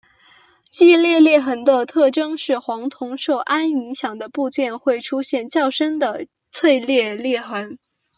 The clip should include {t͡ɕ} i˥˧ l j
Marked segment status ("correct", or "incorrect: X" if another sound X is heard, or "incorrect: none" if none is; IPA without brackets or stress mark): correct